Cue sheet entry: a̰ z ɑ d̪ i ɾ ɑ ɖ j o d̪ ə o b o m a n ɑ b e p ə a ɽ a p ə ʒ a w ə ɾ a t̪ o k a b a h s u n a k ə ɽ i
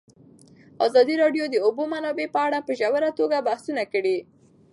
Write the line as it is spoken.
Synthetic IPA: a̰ z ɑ d̪ i ɾ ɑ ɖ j o d̪ ə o b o m a n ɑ b e p ə a ɽ a p ə ʒ a w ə ɾ a t̪ o ɡ a b a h s u n a k ə ɽ i